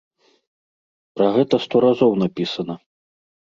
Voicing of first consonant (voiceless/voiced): voiceless